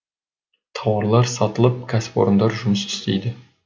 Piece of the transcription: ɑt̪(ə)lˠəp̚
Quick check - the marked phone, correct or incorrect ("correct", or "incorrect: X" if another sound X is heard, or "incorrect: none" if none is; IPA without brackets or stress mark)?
correct